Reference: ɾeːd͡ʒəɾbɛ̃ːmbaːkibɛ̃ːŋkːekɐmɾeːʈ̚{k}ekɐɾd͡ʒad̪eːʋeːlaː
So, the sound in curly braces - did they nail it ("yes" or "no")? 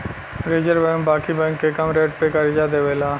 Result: no